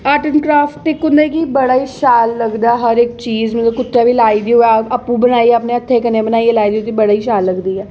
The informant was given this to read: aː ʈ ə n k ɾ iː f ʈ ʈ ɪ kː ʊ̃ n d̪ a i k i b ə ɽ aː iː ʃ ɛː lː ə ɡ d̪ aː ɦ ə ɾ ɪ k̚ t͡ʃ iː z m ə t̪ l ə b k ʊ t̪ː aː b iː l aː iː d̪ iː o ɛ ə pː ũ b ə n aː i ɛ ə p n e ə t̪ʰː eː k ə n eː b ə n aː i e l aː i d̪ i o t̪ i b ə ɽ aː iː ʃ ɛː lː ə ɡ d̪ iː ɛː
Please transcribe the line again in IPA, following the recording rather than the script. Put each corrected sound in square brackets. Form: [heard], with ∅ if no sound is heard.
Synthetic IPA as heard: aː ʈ ə n k ɾ [aː] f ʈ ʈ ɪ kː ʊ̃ n d̪ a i k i b ə ɽ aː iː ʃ [aː] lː ə ɡ d̪ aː ɦ ə ɾ ɪ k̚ t͡ʃ iː z m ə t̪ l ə b k ʊ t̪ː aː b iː l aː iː d̪ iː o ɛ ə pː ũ b ə n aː i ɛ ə p n e ə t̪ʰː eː k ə n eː b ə n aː i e l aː i d̪ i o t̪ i b ə ɽ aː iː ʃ [aː] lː ə ɡ d̪ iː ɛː